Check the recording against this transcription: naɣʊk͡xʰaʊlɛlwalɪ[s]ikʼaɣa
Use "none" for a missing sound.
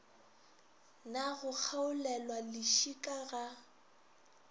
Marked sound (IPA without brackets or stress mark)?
ʃ